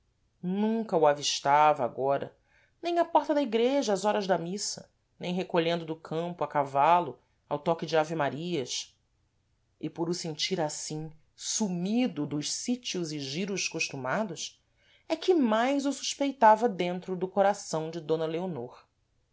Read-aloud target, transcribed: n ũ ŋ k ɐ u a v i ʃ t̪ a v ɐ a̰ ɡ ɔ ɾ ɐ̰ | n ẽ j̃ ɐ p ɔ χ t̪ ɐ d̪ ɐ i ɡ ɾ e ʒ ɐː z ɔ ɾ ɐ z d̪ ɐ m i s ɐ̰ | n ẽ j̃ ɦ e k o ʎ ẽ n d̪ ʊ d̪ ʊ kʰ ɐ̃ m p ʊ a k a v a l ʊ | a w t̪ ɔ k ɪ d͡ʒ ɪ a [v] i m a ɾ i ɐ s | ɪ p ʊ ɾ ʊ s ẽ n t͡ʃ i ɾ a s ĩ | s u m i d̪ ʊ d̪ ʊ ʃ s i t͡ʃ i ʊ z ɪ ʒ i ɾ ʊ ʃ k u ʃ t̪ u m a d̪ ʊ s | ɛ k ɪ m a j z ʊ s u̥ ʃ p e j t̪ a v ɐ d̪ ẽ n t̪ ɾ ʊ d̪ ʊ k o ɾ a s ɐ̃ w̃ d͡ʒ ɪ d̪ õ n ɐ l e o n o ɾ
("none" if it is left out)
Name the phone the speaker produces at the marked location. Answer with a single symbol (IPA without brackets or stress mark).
v